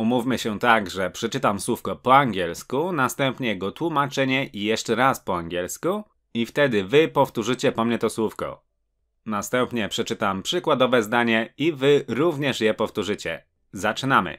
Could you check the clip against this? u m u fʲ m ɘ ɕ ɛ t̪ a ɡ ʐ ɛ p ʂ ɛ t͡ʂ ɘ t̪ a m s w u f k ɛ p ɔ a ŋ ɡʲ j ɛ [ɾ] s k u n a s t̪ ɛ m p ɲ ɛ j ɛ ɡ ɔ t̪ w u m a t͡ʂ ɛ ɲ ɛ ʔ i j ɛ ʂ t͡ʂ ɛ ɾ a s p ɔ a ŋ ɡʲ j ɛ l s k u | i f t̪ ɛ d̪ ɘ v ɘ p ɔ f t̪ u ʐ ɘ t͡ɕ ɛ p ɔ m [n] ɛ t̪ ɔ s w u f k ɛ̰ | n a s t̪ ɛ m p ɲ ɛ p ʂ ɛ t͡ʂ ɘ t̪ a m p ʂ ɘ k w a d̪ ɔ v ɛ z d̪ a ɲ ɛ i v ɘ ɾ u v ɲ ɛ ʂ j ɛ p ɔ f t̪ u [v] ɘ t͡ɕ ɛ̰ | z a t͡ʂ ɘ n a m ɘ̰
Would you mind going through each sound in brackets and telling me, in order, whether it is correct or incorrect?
incorrect: l, incorrect: ɲ, incorrect: ʐ

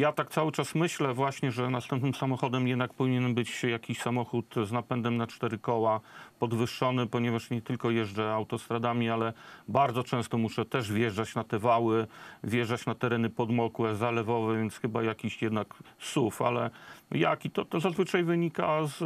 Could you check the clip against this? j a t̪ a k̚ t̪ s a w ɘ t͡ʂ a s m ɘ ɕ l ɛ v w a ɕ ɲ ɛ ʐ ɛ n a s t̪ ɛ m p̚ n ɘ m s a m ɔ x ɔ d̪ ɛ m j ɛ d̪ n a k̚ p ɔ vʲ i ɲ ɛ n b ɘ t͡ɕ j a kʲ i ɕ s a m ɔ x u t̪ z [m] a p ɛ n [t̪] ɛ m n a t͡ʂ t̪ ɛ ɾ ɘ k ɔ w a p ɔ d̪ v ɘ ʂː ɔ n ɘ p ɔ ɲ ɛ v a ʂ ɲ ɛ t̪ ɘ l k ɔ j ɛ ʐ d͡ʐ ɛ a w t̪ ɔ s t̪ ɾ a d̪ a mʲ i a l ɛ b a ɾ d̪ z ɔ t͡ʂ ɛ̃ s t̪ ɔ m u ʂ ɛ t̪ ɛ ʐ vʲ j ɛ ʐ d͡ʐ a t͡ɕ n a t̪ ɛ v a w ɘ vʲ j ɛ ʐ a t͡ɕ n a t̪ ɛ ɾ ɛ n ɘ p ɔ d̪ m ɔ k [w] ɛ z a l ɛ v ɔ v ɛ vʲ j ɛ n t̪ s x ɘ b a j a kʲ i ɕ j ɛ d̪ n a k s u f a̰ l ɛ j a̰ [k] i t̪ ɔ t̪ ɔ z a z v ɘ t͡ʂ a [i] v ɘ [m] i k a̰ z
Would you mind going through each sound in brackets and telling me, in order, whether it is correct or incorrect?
incorrect: n, incorrect: d̪, correct, correct, incorrect: j, incorrect: ɲ

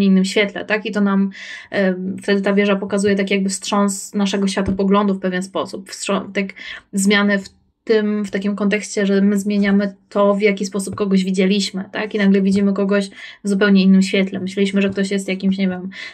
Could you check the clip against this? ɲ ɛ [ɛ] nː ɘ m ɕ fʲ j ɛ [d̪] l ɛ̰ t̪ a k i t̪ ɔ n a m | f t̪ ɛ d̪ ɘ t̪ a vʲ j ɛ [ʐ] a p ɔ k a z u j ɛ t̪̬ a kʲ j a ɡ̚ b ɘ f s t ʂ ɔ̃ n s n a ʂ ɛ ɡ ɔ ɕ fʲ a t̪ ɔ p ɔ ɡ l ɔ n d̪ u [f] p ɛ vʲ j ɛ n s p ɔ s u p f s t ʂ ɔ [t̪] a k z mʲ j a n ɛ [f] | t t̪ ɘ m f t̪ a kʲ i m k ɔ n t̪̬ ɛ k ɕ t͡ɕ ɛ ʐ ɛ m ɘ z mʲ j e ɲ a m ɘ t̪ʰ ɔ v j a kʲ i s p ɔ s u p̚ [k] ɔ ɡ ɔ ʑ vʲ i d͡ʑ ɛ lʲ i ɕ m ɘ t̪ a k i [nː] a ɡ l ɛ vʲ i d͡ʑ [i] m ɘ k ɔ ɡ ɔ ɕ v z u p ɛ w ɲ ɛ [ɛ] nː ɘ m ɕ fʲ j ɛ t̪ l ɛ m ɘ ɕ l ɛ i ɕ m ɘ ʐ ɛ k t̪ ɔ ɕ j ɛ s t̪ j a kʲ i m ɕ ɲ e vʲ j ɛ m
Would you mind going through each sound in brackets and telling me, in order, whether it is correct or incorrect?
incorrect: i, incorrect: t̪, correct, correct, correct, correct, correct, incorrect: n, correct, incorrect: i

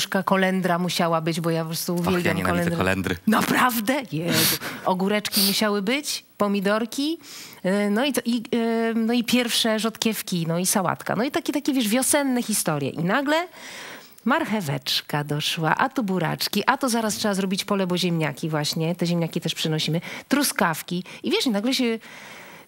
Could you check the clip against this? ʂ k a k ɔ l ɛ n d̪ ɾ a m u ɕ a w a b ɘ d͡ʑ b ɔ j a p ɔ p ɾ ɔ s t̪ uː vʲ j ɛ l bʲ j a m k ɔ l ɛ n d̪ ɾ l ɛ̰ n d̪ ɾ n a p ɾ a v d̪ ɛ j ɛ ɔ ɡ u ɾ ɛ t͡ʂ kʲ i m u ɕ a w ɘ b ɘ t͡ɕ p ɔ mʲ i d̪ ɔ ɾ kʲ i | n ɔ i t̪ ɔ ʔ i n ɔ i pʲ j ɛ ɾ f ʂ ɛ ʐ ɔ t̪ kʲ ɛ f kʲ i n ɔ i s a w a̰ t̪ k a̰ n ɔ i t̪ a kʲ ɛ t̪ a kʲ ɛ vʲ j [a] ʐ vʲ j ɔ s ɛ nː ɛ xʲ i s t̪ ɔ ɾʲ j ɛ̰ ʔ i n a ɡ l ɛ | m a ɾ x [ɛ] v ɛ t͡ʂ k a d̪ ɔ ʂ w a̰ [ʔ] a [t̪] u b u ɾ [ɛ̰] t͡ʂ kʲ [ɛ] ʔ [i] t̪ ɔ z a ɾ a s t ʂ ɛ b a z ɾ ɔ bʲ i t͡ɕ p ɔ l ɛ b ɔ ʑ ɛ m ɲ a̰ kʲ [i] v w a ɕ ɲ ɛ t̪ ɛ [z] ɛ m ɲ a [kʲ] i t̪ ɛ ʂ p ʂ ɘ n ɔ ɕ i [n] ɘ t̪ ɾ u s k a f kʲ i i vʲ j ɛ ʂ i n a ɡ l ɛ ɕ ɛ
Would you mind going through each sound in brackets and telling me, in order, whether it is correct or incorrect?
incorrect: ɛ, correct, correct, correct, incorrect: a̰, incorrect: i, incorrect: a, correct, incorrect: ʑ, correct, incorrect: m

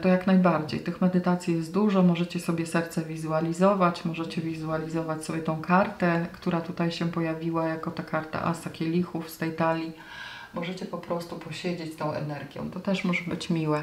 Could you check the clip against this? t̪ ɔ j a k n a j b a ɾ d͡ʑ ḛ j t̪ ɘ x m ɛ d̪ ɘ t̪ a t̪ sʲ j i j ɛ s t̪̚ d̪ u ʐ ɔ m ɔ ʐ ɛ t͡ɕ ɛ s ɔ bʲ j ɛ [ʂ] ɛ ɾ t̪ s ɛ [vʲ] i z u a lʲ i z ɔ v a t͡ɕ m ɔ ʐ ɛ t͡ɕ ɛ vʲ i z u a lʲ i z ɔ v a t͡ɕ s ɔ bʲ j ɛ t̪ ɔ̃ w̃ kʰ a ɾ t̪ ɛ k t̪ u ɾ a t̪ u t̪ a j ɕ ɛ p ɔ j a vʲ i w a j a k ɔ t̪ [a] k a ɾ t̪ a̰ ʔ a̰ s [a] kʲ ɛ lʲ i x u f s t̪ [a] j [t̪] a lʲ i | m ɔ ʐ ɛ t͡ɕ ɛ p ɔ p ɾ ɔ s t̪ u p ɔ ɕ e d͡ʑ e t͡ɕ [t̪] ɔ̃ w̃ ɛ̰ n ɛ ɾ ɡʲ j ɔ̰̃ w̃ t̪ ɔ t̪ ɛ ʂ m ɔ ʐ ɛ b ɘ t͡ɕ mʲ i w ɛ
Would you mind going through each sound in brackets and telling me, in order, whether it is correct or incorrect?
incorrect: s, correct, correct, correct, incorrect: ɛ, correct, correct

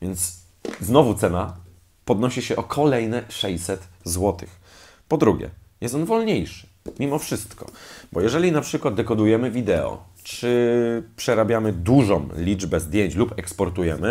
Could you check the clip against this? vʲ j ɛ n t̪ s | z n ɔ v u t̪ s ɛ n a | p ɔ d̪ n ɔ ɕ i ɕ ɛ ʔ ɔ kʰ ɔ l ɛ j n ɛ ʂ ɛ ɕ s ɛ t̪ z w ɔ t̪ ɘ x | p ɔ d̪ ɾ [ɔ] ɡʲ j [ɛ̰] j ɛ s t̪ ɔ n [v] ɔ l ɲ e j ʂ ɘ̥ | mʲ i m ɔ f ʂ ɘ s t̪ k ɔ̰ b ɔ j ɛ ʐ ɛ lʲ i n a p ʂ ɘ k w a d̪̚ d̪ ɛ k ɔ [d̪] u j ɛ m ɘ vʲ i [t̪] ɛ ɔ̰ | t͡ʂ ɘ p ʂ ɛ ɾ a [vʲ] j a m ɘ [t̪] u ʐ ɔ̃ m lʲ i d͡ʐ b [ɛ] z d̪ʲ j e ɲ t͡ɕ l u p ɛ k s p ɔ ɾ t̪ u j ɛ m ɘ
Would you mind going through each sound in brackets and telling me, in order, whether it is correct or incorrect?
incorrect: u, correct, correct, correct, incorrect: d̪, incorrect: bʲ, incorrect: d̪, correct

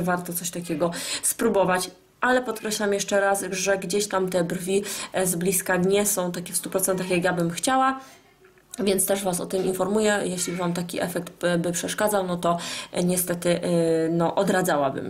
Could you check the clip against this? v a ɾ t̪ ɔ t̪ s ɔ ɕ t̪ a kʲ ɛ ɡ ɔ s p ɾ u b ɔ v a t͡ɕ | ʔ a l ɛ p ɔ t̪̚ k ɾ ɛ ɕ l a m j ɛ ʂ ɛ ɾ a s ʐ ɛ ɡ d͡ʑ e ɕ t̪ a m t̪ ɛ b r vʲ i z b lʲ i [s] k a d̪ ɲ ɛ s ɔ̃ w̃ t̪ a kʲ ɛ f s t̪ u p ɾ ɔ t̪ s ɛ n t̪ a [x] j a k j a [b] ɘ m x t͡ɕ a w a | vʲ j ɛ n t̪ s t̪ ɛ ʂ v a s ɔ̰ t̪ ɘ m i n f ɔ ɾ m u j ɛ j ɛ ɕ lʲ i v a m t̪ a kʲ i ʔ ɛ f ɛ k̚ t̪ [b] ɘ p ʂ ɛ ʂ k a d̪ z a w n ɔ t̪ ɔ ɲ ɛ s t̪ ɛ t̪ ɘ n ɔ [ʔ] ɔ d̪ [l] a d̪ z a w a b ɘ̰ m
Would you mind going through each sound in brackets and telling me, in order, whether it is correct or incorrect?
correct, correct, correct, correct, correct, incorrect: ɾ

